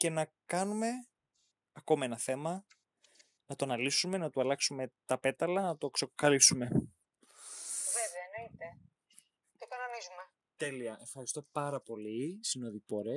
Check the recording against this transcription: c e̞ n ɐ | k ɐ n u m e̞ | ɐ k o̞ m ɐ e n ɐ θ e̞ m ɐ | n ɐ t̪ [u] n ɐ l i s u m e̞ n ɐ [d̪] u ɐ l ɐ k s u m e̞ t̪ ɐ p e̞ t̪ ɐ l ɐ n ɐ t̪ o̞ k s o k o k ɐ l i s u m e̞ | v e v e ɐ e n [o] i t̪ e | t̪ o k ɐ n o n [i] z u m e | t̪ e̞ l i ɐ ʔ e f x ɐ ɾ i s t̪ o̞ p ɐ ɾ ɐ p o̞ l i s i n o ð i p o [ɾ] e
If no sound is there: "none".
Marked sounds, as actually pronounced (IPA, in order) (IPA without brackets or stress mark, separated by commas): o, t̪, o, i, ɾ